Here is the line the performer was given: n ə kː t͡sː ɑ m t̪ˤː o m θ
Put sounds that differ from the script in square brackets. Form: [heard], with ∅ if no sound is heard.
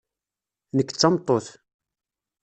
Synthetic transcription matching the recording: n ə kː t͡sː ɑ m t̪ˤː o [∅] θ

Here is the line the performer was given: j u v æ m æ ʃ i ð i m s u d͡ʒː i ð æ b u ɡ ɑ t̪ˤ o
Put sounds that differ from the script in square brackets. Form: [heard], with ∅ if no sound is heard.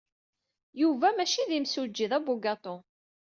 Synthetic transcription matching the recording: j u v æ m æ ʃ i ð i m s u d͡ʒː i ð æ b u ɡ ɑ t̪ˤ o

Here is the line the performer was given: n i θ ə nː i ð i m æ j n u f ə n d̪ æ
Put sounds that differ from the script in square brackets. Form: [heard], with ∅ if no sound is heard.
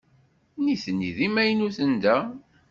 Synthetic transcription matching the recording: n i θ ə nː i ð i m æ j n u [θ] ə n d̪ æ

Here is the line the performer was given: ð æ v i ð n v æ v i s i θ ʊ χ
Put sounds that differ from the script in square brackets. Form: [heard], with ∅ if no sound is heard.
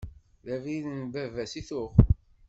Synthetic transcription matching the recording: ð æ v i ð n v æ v [æ] s i θ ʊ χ

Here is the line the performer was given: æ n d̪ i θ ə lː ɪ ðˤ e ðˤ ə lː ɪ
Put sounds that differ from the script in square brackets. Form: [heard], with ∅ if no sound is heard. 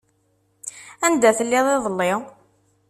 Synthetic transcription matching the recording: æ n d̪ [æ] θ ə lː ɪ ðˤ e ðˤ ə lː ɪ

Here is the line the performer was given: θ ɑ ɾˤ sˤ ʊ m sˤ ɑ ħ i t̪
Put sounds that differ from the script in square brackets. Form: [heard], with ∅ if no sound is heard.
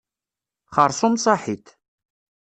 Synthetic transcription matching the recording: [χ] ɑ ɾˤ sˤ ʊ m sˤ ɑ ħ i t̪

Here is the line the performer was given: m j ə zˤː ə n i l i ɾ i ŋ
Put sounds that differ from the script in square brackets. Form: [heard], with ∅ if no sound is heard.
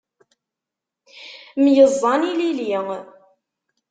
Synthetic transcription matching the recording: m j ə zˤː [ɑ] n i l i [l] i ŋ

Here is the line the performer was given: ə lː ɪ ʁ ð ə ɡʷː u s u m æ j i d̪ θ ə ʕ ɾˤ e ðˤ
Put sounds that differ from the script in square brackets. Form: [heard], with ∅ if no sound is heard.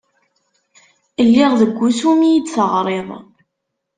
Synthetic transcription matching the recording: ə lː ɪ ʁ ð ə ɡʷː u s u m [i] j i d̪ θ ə [ʁ] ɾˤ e ðˤ

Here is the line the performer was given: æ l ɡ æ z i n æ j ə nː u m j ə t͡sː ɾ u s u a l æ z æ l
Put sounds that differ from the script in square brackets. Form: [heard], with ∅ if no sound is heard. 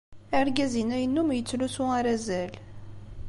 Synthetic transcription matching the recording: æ [ɾ] ɡ æ z i n æ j ə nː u m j ə t͡sː [l] u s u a [ɾ] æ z æ l

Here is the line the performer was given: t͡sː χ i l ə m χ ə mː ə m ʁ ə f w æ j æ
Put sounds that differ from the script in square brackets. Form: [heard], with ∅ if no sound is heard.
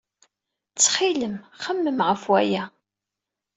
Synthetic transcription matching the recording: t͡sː χ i l ə m χ ə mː ə m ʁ ə f w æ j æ

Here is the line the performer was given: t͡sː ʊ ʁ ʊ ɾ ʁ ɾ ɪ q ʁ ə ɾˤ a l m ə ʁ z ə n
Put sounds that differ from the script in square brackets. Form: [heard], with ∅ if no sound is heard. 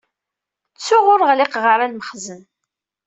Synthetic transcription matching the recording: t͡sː ʊ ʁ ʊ ɾ ʁ [l] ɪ q ʁ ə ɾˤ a l m ə [χ] z ə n

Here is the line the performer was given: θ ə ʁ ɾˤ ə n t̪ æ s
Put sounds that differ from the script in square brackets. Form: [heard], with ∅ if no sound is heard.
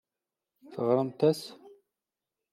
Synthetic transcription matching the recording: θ ə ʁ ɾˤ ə [m] t̪ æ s

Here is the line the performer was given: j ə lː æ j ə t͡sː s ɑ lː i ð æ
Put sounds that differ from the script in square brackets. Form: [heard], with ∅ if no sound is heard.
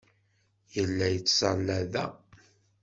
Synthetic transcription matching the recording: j ə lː æ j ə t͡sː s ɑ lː [æ] ð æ

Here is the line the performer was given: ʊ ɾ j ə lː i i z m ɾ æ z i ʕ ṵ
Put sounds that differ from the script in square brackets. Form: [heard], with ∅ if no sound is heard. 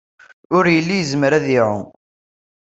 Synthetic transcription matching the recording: ʊ ɾ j ə lː i [j] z m ɾ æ [ð] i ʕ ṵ

